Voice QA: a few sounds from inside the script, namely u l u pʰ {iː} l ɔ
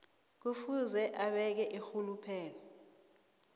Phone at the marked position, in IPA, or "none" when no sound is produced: ɛː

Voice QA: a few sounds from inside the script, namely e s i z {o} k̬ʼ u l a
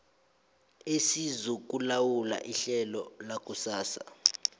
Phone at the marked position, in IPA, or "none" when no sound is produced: u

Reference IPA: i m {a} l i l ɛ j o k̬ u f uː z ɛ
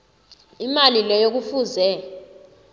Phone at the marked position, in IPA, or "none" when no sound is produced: a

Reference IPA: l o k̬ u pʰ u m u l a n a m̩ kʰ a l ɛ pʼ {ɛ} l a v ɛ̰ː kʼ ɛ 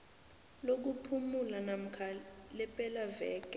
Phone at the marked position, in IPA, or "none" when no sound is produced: ɛ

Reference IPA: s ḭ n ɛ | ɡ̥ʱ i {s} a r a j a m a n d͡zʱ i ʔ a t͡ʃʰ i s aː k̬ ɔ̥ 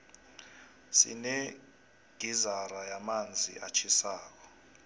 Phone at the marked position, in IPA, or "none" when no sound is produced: z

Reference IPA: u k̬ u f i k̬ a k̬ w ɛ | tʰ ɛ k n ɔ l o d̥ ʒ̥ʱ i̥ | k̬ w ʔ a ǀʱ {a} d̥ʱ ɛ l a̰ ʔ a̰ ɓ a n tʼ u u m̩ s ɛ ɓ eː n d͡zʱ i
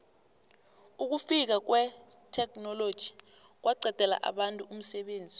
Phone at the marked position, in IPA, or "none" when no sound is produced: ɛ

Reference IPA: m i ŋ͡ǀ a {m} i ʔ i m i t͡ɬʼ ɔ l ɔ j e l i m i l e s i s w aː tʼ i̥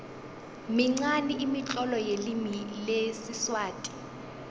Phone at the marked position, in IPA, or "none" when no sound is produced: n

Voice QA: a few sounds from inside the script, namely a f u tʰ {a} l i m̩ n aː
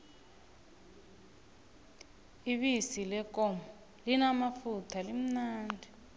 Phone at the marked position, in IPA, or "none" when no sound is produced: a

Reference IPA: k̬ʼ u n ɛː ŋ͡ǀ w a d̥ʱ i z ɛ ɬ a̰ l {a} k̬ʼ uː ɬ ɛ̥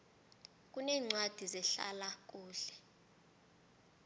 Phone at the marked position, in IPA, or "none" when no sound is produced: a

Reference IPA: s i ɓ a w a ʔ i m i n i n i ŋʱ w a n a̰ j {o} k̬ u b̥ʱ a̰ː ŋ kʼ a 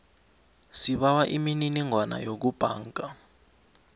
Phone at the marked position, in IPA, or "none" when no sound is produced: o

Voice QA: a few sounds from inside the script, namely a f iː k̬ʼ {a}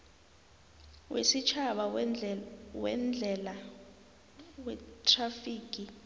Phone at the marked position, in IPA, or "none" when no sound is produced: i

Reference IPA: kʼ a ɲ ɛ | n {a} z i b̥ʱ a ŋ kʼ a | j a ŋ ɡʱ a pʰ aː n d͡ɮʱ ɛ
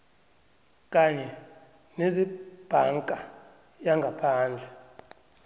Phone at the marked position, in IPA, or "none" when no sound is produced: e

